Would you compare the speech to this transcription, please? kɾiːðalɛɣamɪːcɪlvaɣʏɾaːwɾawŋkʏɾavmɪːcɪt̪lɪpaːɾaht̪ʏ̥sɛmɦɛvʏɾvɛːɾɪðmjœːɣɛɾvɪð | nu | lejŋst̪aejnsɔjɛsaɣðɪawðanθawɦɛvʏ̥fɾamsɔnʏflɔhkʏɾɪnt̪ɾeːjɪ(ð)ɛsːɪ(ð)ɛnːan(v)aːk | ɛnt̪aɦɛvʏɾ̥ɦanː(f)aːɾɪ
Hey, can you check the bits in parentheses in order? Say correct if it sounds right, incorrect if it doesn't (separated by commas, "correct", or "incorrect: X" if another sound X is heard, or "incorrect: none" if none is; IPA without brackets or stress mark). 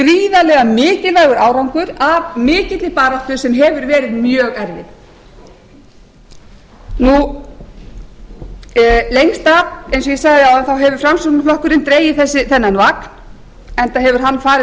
incorrect: θ, incorrect: θ, correct, correct